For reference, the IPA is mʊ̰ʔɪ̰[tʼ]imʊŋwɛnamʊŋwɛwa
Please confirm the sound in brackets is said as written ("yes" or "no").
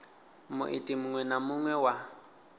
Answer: yes